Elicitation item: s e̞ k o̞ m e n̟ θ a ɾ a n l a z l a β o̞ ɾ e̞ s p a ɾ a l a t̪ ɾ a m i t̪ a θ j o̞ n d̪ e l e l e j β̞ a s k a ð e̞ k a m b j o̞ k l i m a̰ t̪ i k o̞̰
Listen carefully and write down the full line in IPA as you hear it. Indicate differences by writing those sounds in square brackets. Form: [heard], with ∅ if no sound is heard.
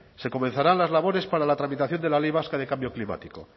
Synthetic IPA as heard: s e̞ k o̞ m e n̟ θ a ɾ a n l a z l a β o̞ ɾ e̞ s p a ɾ a l a t̪ ɾ a m i t̪ a θ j o̞ n d̪ e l [a] l e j β̞ a s k a ð e̞ k a m b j o̞ k l i m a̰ t̪ i k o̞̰